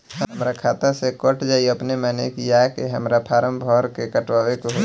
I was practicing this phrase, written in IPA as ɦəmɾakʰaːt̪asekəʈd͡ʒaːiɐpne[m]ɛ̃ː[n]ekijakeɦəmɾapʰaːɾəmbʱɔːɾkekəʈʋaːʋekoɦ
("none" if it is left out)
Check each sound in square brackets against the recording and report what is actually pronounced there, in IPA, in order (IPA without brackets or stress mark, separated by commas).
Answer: m, n